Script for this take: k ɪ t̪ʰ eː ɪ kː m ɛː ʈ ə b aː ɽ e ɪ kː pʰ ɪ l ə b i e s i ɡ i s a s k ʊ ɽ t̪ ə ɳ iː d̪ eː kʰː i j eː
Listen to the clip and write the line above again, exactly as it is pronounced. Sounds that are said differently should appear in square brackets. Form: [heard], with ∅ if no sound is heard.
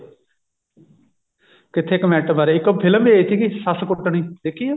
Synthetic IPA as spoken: k ɪ t̪ʰ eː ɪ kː m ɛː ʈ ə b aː [ɾ] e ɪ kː pʰ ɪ l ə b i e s i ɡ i s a s k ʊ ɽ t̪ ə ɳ iː d̪ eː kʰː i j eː